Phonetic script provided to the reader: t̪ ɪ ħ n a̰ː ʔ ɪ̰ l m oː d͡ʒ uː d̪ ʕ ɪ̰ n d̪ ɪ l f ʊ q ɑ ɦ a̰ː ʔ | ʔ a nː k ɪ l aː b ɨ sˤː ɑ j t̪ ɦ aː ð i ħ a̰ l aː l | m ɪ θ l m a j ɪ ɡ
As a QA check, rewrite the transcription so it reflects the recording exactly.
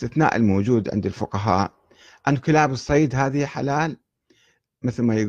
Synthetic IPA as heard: t̪ ɪ θ n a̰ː ʔ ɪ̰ l m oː d͡ʒ uː d̪ ʕ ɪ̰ n d̪ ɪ l f ʊ q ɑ ɦ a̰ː ʔ | ʔ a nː k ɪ l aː b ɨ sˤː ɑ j d̪ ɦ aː ð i ħ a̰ l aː l | m ɪ θ l m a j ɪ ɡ